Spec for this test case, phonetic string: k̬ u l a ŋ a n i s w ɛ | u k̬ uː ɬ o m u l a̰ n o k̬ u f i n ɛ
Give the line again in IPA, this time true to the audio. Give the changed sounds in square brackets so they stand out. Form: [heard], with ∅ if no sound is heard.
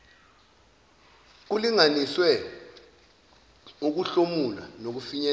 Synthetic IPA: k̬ u l [i] ŋ a n i s w ɛ | u k̬ [u] ɬ o m u l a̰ n o k̬ u f i [ɲ] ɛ